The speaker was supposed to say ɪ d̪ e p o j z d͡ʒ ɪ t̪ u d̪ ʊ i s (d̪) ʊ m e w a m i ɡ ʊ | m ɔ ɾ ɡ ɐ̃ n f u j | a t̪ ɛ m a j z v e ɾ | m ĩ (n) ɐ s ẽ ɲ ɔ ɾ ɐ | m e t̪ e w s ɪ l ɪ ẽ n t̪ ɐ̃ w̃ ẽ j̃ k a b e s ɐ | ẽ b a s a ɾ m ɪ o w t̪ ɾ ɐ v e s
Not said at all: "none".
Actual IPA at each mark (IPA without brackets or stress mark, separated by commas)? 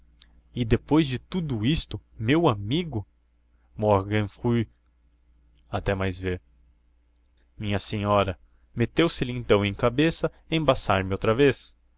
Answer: t̪, ɲ